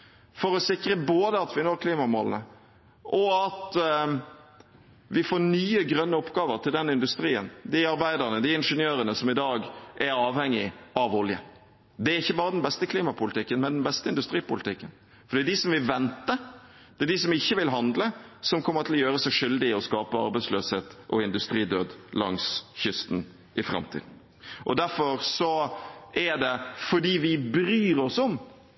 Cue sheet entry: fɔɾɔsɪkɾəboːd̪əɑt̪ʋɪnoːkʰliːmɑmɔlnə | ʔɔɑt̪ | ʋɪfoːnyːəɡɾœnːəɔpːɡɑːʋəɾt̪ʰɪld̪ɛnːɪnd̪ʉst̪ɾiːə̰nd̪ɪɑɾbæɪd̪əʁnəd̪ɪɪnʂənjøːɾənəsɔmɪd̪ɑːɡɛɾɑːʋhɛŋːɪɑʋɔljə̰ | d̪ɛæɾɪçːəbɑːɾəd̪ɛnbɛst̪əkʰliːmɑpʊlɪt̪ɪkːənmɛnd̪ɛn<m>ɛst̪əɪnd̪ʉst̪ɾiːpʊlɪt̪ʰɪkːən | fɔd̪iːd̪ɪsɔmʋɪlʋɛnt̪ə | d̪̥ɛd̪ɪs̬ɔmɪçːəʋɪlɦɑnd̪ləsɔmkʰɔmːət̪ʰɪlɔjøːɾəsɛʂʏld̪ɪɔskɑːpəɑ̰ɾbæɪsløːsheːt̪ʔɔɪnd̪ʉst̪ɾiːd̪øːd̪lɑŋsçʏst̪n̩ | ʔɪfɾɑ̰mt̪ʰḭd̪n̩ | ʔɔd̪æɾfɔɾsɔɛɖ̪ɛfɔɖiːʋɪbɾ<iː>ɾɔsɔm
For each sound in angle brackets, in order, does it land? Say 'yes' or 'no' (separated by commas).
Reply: no, no